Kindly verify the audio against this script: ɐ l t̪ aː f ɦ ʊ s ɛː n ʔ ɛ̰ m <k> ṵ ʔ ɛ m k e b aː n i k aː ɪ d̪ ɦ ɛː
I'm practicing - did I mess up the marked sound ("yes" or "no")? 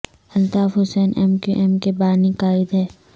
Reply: no